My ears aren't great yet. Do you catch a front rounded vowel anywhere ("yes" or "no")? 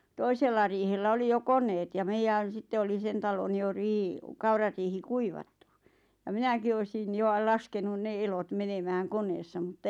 no